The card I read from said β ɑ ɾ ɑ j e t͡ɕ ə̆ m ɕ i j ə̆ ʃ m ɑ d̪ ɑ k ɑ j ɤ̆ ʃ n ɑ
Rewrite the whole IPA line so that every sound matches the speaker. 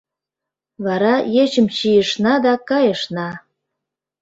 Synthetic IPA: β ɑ ɾ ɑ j e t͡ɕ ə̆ m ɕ i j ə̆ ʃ n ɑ d̪ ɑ k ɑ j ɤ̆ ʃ n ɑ